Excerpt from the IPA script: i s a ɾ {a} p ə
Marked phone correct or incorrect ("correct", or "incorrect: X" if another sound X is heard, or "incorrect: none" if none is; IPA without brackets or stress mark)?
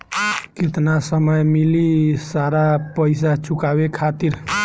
correct